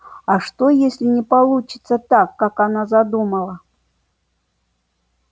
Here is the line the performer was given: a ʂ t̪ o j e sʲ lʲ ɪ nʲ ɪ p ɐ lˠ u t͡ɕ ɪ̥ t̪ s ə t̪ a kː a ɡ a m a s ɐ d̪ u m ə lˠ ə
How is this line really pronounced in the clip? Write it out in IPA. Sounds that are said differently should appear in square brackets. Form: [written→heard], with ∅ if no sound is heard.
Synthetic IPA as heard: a ʂ t̪ o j e sʲ lʲ ɪ nʲ ɪ p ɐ lˠ u t͡ɕ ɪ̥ t̪ s ə t̪ a kː a [ɡ→k] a [m→n] a [s→z] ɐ d̪ u m ə lˠ ə

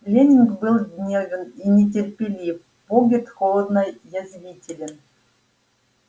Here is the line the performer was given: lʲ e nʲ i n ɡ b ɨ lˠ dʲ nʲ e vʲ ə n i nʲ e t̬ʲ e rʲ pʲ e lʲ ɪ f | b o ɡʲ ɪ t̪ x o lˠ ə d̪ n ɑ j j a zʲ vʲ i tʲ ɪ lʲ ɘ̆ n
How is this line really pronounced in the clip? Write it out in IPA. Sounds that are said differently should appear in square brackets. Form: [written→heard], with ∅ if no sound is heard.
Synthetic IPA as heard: lʲ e nʲ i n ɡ b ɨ lˠ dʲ nʲ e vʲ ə n i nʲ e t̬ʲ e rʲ pʲ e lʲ [ɪ→i] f | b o ɡʲ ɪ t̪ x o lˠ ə d̪ n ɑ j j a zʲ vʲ i tʲ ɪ lʲ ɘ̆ n

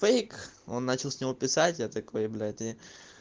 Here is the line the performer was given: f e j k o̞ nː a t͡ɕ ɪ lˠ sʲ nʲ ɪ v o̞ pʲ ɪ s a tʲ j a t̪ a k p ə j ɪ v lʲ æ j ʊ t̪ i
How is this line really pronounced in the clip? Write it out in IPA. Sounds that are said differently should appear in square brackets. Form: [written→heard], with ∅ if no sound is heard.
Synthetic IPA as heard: f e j k o̞ nː a t͡ɕ ɪ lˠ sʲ nʲ ɪ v o̞ pʲ ɪ s a tʲ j a t̪ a k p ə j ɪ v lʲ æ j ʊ t̪ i

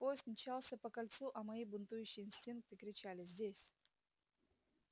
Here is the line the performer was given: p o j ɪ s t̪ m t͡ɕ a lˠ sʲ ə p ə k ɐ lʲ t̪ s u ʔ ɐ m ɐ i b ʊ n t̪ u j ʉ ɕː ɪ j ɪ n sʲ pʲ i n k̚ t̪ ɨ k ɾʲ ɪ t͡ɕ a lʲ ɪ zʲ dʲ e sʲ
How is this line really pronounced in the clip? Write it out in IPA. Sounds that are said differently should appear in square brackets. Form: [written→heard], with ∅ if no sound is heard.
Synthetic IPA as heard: p o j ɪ s t̪ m t͡ɕ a lˠ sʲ ə p ə k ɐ lʲ t̪ s u ʔ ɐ m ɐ i b ʊ n t̪ u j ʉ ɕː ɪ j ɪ n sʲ [pʲ→tʲ] i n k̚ t̪ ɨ k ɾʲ ɪ t͡ɕ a lʲ ɪ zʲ dʲ e sʲ

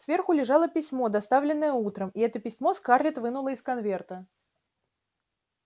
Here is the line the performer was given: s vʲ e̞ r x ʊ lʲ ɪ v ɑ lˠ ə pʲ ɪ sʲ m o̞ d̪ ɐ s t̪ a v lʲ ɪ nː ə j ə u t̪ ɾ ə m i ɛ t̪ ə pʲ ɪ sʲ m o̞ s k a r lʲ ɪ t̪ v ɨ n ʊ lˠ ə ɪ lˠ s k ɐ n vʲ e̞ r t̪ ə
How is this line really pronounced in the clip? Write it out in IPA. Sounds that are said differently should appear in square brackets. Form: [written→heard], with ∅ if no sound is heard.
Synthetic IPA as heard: s vʲ e̞ r x ʊ lʲ ɪ [v→ʐ] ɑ lˠ ə pʲ ɪ sʲ m o̞ d̪ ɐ s t̪ a v lʲ ɪ nː ə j ə u t̪ ɾ ə m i ɛ t̪ ə pʲ ɪ sʲ m o̞ s k a r lʲ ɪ t̪ v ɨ n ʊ lˠ ə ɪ [lˠ→∅] s k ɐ n vʲ e̞ r t̪ ə

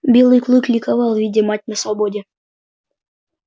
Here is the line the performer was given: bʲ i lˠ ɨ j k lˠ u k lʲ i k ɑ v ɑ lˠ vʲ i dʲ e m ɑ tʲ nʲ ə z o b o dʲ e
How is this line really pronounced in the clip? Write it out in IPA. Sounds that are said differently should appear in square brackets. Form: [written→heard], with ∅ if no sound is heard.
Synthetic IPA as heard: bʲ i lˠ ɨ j k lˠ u k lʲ i k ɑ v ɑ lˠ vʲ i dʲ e m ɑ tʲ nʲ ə [z→s] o b o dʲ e

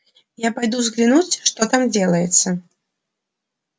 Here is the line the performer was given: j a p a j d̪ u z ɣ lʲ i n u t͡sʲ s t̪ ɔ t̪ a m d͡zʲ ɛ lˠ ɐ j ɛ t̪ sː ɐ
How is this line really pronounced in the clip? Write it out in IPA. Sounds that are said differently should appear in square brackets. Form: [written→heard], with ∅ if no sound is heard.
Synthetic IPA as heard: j a p a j d̪ u z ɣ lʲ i n u t͡sʲ [s→ʂ] t̪ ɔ t̪ a m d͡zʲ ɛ lˠ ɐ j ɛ t̪ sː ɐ

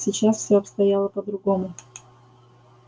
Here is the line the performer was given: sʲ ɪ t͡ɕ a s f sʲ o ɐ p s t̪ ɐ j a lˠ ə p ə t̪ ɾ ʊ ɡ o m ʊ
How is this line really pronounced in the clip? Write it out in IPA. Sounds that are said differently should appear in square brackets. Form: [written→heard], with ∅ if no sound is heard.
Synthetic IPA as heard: sʲ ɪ t͡ɕ a s f sʲ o ɐ p s t̪ ɐ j a lˠ ə p ə [t̪→d̪] ɾ ʊ ɡ o m ʊ

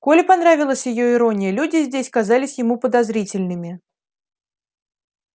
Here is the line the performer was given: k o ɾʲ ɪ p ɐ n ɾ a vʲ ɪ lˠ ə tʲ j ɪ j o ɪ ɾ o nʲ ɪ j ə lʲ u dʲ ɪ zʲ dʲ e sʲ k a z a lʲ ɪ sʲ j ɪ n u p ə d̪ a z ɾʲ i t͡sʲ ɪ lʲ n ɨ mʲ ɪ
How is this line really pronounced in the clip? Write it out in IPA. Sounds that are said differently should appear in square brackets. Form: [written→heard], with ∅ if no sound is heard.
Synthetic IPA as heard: k o [ɾʲ→lʲ] ɪ p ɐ n ɾ a vʲ ɪ lˠ ə [tʲ→sʲ] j ɪ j o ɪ ɾ o nʲ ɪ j ə lʲ u dʲ ɪ zʲ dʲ e sʲ k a z a lʲ ɪ sʲ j ɪ [n→m] u p ə d̪ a z ɾʲ i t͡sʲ ɪ lʲ n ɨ mʲ ɪ

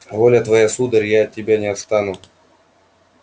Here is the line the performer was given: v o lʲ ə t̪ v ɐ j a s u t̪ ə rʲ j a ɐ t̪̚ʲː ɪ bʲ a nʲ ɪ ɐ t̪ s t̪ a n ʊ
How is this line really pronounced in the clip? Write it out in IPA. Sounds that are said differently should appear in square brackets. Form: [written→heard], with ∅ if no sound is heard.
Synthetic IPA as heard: v o lʲ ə t̪ v ɐ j a s u [t̪→d̪] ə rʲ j a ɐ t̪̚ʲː ɪ bʲ a nʲ ɪ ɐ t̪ s t̪ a n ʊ

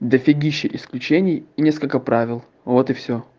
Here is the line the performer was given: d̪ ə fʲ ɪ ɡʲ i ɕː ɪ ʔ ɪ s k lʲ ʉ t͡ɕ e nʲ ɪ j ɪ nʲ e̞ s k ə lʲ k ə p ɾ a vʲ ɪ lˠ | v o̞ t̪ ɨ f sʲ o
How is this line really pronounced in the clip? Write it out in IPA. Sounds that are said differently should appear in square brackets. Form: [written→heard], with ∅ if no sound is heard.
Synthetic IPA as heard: d̪ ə fʲ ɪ ɡʲ i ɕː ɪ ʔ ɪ s k lʲ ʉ t͡ɕ e nʲ ɪ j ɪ nʲ e̞ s k ə lʲ k ə p ɾ a vʲ ɪ lˠ | v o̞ t̪ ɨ f sʲ o

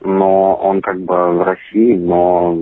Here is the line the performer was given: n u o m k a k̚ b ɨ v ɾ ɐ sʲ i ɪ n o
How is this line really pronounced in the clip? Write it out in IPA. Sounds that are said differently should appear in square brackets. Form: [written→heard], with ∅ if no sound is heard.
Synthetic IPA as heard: n [u→o] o [m→n] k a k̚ b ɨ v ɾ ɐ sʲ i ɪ n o

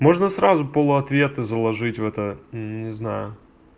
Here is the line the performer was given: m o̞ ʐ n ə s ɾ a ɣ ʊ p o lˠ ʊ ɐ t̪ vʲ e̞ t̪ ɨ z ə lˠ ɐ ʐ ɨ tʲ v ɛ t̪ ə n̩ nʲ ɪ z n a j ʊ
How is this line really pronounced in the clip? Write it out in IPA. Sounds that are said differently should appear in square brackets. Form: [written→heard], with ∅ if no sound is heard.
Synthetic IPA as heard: m o̞ ʐ n ə s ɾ a [ɣ→z] ʊ p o lˠ ʊ ɐ t̪ vʲ e̞ t̪ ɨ z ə lˠ ɐ ʐ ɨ tʲ v ɛ t̪ ə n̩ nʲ ɪ z n a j ʊ

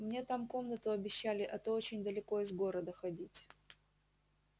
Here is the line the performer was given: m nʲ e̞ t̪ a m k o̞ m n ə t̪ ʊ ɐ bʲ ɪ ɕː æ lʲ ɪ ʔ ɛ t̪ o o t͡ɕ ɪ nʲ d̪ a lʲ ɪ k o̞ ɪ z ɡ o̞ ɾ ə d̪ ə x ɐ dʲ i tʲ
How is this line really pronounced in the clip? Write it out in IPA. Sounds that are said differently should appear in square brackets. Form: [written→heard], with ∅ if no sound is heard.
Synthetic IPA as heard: m nʲ e̞ t̪ a m k o̞ m n ə t̪ ʊ ɐ bʲ ɪ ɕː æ lʲ ɪ ʔ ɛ t̪ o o t͡ɕ ɪ nʲ d̪ [a→ə] lʲ ɪ k o̞ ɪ z ɡ o̞ ɾ ə d̪ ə x ɐ dʲ i tʲ

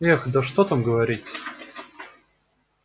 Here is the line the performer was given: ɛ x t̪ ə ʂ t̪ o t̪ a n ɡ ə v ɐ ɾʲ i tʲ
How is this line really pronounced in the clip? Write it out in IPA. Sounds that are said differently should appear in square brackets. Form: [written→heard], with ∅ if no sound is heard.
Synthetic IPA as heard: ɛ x [t̪→d̪] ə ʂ t̪ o t̪ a [n→m] ɡ ə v ɐ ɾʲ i tʲ

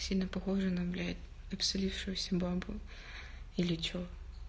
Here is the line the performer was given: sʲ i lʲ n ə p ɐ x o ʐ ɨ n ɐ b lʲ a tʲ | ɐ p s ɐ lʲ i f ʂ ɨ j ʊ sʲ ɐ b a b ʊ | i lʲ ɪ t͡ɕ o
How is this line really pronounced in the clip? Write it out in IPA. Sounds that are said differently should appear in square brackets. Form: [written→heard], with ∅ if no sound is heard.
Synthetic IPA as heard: sʲ i lʲ n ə p ɐ x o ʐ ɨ n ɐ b lʲ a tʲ | ɐ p s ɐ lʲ i f ʂ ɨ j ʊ sʲ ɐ b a b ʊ | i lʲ ɪ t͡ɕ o

